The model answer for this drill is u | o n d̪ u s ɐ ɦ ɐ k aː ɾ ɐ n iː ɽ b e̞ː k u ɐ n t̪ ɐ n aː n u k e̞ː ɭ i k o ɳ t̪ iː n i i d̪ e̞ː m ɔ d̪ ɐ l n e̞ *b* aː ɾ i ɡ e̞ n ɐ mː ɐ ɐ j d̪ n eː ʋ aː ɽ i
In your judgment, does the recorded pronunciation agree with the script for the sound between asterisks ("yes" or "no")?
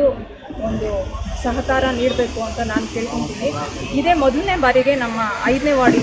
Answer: yes